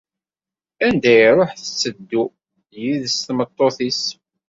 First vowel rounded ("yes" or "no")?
no